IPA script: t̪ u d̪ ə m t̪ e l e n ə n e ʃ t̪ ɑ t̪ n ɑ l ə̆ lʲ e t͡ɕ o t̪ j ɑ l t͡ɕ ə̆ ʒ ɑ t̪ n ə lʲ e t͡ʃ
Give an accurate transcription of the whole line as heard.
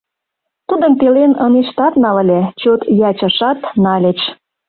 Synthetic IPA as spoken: t̪ u d̪ ə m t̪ e l e n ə n e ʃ t̪ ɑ t̪ n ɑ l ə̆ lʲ e t͡ɕ o t̪ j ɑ t͡ɕ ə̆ ʃ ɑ t̪ n ɑ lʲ e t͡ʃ